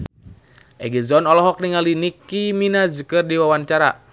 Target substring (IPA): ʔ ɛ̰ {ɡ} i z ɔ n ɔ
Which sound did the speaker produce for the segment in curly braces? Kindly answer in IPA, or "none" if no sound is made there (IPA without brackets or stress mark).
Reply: ɡ